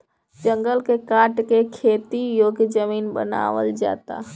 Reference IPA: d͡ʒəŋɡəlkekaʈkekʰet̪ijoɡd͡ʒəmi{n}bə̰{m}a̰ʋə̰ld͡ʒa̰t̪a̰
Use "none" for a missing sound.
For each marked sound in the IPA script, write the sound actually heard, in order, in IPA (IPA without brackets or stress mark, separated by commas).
n, n